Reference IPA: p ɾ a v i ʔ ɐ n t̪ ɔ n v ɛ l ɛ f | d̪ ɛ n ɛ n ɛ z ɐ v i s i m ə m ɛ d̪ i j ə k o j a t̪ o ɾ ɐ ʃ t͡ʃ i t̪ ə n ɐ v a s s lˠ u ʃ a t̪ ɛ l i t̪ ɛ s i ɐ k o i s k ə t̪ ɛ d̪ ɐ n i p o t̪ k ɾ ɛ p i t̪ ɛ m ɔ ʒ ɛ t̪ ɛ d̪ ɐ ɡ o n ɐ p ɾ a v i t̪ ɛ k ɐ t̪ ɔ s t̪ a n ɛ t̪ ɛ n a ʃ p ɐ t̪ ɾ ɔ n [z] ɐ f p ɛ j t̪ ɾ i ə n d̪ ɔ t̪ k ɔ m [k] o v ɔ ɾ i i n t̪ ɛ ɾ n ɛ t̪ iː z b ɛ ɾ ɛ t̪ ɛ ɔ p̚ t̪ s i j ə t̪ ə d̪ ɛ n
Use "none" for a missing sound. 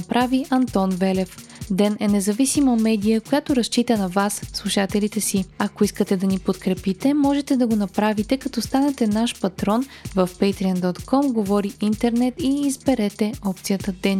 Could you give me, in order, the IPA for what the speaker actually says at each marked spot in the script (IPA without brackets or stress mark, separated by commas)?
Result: v, ɡ